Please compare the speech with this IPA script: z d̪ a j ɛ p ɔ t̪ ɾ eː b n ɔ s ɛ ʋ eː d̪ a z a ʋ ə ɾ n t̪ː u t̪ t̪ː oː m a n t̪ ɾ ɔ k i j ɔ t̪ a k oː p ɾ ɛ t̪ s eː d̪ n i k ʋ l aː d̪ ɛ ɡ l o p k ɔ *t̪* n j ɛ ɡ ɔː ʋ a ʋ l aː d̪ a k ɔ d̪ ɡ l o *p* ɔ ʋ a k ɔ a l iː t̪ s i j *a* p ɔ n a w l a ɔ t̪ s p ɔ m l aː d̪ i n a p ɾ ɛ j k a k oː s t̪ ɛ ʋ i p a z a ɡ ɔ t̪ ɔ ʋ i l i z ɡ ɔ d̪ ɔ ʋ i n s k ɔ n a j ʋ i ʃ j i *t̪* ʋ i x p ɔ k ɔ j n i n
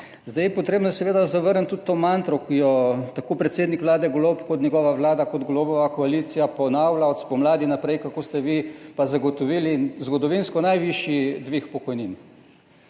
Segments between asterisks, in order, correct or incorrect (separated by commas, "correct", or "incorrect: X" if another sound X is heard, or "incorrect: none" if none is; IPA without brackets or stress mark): correct, incorrect: b, correct, incorrect: d̪